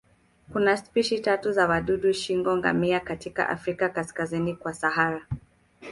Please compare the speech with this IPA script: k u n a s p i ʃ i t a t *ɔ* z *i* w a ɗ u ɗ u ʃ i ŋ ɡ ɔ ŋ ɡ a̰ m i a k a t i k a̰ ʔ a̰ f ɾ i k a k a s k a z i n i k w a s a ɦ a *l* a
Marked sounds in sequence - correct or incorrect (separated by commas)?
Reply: incorrect, incorrect, incorrect